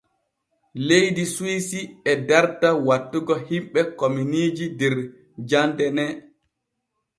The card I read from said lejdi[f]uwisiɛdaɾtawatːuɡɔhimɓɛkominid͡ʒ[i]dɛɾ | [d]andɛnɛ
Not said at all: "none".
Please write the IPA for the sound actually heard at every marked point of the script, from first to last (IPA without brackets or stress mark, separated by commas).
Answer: s, i, d͡ʒ